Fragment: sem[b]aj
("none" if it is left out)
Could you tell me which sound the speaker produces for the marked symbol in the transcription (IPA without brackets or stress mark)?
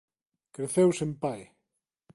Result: p